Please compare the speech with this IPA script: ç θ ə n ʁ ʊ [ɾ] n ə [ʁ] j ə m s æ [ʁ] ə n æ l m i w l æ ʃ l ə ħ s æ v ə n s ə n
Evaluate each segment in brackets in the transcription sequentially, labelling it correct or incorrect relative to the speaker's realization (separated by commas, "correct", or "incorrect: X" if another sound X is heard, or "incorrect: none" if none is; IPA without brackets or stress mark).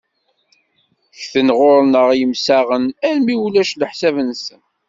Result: correct, correct, correct